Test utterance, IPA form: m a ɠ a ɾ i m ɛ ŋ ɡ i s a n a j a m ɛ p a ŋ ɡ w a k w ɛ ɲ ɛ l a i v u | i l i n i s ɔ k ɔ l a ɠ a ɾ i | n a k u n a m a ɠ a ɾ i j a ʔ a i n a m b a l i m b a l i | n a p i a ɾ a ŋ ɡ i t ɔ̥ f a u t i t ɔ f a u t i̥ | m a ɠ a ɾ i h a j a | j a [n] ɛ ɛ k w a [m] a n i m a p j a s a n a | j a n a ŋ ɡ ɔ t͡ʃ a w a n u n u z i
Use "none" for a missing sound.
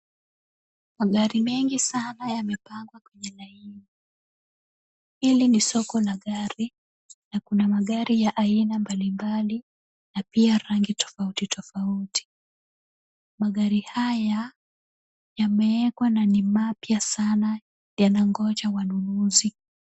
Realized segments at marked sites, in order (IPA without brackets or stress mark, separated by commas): m, n